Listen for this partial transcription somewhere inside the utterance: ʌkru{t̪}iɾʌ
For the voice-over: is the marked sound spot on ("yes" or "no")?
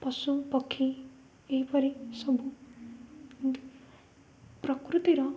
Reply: yes